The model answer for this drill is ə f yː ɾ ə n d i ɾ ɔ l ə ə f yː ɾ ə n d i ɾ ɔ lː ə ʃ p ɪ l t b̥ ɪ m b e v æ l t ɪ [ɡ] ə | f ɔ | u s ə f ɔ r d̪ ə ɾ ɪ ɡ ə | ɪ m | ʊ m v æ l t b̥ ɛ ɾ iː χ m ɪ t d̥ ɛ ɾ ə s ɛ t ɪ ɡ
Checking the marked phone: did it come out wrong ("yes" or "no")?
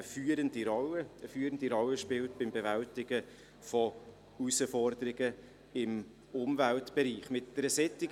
no